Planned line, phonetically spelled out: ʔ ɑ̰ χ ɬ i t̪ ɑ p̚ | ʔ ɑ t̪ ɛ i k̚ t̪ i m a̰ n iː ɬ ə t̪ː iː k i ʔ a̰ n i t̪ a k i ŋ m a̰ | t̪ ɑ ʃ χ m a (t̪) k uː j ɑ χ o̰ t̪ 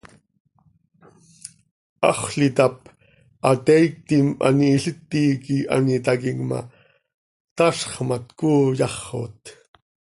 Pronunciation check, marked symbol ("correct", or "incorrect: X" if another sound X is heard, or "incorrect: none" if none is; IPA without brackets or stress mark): correct